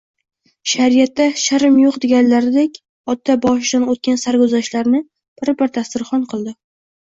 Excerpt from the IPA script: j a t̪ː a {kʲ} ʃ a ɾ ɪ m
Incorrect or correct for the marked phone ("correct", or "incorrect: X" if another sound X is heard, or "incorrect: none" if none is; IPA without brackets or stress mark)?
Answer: incorrect: none